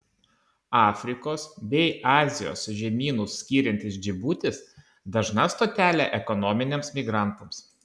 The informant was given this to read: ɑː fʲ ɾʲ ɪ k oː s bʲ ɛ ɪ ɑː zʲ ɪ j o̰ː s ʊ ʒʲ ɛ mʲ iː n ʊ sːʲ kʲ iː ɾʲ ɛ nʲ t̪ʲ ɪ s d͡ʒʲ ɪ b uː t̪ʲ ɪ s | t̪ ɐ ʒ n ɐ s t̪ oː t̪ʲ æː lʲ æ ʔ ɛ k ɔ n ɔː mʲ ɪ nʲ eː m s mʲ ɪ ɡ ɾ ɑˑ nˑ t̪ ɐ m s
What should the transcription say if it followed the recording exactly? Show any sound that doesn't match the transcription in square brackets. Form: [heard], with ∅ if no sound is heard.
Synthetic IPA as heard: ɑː fʲ ɾʲ ɪ k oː s bʲ ɛ ɪ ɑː zʲ ɪ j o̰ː s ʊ ʒʲ ɛ mʲ iː n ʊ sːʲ kʲ iː ɾʲ ɛ nʲ t̪ʲ ɪ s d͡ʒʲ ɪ b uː t̪ʲ ɪ s | [d̪] ɐ ʒ n ɐ s t̪ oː t̪ʲ æː lʲ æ ʔ ɛ k ɔ n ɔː mʲ ɪ nʲ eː m s mʲ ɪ ɡ ɾ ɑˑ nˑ t̪ ɐ m s